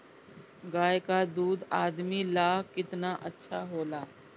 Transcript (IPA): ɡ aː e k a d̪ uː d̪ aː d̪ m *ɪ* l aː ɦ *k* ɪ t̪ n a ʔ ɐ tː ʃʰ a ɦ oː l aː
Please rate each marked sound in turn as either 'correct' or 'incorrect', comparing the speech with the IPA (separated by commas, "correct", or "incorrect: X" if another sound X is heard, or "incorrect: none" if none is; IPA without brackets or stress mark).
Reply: incorrect: i, correct